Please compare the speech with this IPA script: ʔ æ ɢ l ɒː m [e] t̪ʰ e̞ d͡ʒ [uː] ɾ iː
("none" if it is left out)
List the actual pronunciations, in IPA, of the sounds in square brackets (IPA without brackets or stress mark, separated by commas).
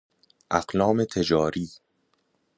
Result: e, ɒː